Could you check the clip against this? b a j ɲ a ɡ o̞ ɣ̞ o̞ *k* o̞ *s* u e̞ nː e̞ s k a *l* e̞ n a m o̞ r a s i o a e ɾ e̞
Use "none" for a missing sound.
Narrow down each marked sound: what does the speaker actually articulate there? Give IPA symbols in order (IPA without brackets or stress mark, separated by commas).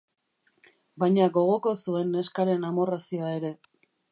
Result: k, s, ɾ